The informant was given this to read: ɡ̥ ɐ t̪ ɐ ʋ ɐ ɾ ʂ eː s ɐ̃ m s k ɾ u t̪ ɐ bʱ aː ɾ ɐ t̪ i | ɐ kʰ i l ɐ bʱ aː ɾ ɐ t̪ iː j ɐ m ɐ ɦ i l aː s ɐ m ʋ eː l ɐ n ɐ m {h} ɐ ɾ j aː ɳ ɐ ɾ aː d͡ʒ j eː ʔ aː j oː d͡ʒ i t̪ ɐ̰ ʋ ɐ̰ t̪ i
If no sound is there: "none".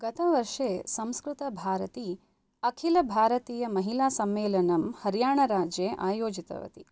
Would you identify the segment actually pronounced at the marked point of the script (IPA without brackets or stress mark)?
h